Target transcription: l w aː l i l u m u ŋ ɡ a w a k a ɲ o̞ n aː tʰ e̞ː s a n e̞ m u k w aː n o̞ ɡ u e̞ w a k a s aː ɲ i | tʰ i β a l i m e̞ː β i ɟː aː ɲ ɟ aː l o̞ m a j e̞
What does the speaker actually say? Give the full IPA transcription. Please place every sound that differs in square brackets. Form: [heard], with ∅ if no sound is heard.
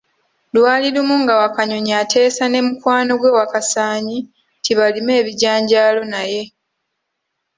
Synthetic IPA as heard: l w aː l i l u m u ŋ ɡ a w a k a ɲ o̞ [ɲ] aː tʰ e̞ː s a n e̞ m u k w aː n o̞ ɡ [w] e̞ w a k a s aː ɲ i | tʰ i β a l i m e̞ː β i [ɟ] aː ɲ ɟ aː l o̞ [n] a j e̞

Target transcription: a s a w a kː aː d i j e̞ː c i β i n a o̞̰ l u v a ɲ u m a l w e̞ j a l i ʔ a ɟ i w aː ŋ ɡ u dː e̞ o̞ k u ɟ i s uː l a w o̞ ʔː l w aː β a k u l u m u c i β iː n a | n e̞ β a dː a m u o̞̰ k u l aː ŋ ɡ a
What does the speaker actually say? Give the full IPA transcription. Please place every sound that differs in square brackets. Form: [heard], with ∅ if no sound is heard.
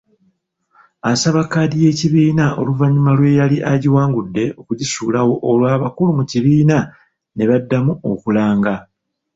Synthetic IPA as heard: a s a [β] a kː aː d i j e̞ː c i β [iː] n a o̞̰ l u v a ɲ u m a l w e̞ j a l i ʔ a ɟ i w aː ŋ ɡ u dː e̞ o̞ k u ɟ i s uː l a w o̞ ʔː l w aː β a k u l u m u c i β iː n a | n e̞ β a dː a m u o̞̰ k u l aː ŋ ɡ a

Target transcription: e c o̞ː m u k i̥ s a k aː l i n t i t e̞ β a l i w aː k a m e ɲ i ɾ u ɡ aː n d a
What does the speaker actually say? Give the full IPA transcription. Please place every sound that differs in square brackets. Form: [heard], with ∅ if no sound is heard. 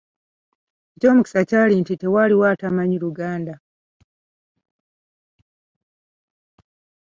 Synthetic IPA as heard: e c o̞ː m u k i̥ s a [c] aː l i n t i t e̞ [w] a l i w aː [t] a m [a] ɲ i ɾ u ɡ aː n d a

